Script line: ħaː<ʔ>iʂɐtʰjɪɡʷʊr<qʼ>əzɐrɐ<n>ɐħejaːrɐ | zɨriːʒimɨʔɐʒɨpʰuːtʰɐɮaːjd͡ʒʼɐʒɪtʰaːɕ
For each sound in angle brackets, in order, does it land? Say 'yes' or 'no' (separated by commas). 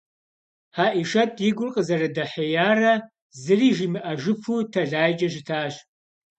yes, yes, no